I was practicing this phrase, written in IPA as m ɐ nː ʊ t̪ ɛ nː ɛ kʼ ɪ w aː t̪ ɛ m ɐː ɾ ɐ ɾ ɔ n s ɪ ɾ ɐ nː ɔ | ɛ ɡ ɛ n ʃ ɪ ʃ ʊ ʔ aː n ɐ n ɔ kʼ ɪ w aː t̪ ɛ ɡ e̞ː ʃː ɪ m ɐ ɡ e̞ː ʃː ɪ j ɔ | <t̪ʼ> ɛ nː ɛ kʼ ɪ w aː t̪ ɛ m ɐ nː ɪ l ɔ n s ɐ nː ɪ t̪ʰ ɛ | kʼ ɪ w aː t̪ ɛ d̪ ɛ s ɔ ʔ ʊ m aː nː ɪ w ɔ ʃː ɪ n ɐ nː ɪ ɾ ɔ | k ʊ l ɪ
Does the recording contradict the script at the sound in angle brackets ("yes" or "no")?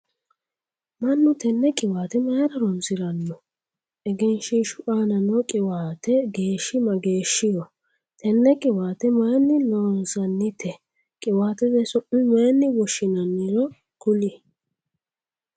yes